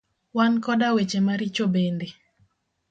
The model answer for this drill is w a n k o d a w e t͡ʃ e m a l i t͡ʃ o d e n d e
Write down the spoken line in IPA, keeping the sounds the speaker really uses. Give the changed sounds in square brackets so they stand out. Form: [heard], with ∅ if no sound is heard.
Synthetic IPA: w a n k [ɔ] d a w e t͡ʃ e m a [ɾ] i t͡ʃ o [b] e n d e